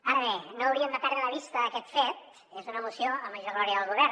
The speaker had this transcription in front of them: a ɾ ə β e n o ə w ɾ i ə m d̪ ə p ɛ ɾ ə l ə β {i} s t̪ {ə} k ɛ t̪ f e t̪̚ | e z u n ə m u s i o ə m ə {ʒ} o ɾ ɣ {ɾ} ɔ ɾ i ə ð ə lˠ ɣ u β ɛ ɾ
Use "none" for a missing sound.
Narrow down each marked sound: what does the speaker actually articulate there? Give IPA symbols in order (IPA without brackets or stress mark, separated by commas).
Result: i, əː, ʒ, l